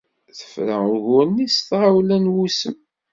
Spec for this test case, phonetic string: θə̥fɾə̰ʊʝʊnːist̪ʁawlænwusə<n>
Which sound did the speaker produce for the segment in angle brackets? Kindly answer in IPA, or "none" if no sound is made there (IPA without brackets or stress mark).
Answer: m